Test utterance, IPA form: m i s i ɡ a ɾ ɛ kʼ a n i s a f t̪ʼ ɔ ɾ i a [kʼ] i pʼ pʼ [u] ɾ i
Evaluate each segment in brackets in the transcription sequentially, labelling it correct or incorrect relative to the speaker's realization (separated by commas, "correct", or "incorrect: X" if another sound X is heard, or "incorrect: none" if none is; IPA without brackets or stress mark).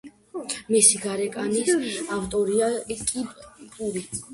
correct, correct